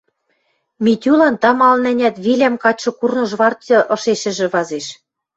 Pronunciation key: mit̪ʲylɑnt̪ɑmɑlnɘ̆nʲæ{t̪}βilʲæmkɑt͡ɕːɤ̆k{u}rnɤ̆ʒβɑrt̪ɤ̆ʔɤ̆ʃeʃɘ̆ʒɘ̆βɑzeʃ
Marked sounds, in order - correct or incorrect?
correct, correct

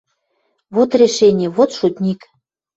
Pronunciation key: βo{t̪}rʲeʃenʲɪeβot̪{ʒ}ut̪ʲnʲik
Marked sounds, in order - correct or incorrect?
correct, incorrect: ʃ

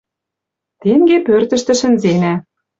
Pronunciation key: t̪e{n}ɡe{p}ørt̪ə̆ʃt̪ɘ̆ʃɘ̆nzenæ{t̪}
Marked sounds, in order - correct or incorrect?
incorrect: ŋ, correct, incorrect: none

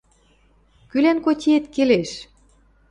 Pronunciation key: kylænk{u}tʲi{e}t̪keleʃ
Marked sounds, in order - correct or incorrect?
incorrect: o, correct

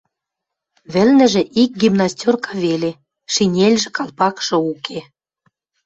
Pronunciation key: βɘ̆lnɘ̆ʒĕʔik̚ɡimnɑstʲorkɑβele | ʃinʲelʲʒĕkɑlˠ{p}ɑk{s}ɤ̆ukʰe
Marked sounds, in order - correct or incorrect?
correct, incorrect: ʃ

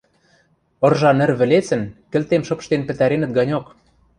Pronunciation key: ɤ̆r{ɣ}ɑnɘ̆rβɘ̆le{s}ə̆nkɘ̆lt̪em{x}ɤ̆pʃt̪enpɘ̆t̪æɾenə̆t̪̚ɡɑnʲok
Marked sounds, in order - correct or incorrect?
incorrect: ʒ, incorrect: t͡s, incorrect: ʃ

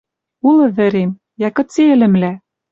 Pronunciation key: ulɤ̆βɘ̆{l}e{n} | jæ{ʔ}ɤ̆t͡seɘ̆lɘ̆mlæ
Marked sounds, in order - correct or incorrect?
incorrect: ɾ, incorrect: m, incorrect: k

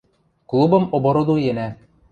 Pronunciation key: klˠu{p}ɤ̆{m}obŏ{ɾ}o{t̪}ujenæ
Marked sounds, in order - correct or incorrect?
incorrect: b, correct, correct, incorrect: d̪

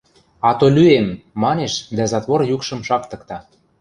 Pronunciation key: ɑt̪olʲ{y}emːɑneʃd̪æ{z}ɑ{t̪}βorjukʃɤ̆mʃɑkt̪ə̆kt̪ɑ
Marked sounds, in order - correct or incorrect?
correct, correct, correct

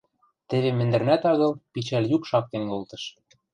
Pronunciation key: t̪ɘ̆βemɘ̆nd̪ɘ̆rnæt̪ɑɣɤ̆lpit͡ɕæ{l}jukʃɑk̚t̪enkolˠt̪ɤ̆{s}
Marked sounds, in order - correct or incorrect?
correct, incorrect: ʃ

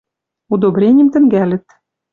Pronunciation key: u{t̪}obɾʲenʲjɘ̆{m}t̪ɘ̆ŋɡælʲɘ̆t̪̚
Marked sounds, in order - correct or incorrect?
incorrect: d̪, correct

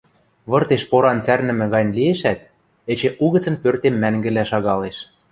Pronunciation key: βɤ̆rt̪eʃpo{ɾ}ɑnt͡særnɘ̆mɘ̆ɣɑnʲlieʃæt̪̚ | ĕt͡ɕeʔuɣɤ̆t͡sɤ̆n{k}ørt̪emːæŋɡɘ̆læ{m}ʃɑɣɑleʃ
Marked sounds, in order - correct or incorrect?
correct, incorrect: p, incorrect: none

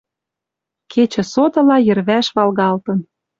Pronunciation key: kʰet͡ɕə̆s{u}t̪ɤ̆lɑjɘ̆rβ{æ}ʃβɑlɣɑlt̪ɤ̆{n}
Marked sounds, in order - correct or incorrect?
incorrect: o, correct, correct

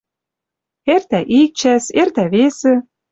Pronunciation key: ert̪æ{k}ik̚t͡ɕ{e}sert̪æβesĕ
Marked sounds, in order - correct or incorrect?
incorrect: ʔ, incorrect: æ

